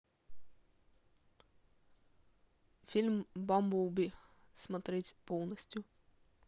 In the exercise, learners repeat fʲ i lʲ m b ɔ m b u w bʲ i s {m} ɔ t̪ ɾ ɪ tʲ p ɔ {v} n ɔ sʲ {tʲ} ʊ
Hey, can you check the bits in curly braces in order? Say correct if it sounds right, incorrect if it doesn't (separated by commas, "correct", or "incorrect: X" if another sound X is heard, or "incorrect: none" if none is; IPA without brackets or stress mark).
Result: correct, incorrect: w, correct